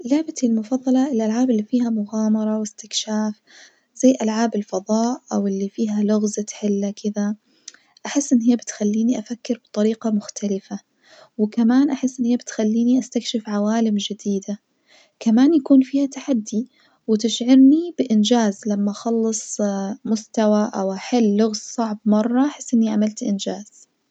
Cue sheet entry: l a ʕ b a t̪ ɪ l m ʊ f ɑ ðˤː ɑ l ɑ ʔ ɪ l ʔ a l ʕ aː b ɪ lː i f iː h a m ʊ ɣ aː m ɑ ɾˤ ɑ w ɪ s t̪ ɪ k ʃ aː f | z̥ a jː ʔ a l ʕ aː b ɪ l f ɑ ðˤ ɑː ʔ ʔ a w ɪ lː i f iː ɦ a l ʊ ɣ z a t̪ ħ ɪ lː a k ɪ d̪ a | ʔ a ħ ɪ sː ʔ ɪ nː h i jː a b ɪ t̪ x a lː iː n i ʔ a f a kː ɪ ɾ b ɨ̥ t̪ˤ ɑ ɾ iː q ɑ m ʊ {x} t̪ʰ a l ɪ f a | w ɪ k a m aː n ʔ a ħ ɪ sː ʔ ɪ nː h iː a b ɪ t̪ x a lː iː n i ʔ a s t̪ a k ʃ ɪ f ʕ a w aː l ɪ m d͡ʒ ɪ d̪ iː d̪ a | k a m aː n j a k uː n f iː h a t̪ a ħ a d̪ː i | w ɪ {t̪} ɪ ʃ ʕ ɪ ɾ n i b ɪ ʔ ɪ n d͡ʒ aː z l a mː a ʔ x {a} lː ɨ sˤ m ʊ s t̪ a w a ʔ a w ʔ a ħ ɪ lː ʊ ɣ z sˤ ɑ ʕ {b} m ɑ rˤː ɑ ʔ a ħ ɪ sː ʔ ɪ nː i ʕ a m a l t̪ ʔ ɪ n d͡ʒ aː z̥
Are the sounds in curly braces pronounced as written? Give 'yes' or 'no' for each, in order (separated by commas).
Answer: yes, yes, no, yes